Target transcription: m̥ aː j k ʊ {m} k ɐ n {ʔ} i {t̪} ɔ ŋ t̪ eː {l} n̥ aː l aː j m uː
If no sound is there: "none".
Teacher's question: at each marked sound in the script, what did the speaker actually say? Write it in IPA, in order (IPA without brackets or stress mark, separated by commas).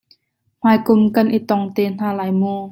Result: m, ʔ, t̪, none